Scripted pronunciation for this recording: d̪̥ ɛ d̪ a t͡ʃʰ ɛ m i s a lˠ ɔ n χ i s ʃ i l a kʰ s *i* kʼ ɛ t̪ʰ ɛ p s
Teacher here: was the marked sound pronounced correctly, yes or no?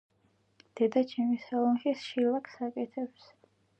no